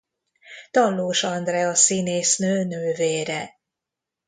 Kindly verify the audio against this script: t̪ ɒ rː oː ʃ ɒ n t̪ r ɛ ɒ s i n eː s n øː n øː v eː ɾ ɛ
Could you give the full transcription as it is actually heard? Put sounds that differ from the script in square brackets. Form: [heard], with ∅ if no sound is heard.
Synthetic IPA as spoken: t̪ ɒ [lː] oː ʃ ɒ n [d̪] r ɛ ɒ s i n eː s n øː n øː v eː ɾ ɛ